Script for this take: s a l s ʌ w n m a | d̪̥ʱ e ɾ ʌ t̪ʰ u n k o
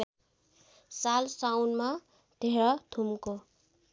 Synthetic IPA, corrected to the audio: s a l s a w n m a | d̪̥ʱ e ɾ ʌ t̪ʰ u m k o